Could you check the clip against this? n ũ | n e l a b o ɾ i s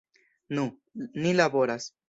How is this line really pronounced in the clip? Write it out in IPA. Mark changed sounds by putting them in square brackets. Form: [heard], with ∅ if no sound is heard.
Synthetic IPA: n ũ | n [i] l a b o ɾ [a] s